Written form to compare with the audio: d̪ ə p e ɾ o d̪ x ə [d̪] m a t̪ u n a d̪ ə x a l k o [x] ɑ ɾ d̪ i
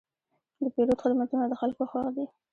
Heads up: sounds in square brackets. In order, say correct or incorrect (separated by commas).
correct, correct